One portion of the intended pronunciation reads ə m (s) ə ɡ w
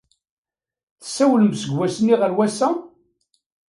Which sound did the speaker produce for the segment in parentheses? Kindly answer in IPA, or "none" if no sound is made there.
s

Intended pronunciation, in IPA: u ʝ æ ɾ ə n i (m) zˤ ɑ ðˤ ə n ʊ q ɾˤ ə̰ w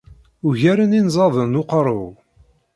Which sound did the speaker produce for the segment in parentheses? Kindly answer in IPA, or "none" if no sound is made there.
n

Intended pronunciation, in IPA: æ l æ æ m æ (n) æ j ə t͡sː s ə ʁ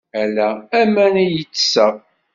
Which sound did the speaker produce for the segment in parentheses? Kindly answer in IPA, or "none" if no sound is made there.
n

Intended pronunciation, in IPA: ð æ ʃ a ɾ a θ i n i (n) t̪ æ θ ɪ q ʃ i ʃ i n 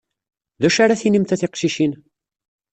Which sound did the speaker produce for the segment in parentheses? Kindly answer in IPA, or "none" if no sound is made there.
m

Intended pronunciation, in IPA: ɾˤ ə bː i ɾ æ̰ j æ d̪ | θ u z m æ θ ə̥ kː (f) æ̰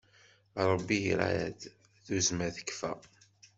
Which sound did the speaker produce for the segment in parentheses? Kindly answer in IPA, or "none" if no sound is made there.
f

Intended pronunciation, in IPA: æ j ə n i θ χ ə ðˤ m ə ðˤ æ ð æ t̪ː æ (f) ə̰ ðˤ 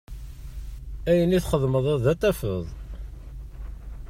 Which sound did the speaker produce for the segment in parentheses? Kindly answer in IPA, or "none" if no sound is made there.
f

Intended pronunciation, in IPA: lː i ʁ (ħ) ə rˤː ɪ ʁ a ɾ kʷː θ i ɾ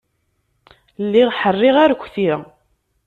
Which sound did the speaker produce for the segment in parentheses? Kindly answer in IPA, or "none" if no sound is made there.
ħ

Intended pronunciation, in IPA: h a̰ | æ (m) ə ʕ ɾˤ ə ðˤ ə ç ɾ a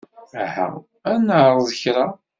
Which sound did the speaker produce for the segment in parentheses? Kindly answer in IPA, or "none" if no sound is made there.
n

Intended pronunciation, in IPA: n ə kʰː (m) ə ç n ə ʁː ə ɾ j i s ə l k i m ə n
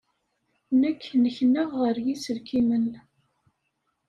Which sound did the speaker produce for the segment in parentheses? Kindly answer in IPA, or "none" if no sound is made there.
n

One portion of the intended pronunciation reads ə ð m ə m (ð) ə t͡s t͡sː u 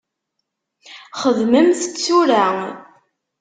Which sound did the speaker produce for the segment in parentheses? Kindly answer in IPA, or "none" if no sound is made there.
θ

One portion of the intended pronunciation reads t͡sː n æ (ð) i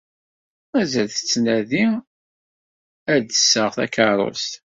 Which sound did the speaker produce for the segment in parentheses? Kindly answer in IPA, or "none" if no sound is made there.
ð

